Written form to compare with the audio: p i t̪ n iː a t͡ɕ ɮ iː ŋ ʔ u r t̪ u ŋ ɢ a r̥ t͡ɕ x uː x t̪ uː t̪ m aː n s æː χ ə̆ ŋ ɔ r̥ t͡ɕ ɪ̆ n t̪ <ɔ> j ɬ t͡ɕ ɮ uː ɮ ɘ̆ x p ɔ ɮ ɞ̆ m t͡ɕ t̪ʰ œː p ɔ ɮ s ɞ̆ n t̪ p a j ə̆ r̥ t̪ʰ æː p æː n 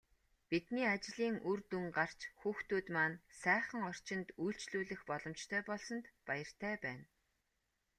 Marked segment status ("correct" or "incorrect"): incorrect